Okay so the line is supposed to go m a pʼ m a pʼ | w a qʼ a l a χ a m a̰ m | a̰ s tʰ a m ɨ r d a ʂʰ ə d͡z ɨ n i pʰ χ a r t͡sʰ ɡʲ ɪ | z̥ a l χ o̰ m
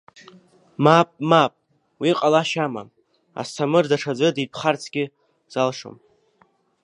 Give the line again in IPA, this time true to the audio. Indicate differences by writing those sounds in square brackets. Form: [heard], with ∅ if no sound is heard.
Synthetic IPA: m a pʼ m a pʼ | w [i] qʼ a l a [ʃ] a m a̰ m | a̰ s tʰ a m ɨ r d a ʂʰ [a] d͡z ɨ [d] i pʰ χ a r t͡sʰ ɡʲ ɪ | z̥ a l [ʂ] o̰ m